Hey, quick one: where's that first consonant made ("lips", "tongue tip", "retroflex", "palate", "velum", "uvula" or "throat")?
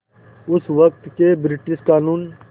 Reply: tongue tip